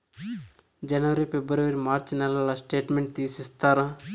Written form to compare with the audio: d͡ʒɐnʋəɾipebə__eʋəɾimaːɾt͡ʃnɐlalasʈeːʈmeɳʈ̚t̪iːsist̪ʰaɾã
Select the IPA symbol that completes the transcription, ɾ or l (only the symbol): ɾ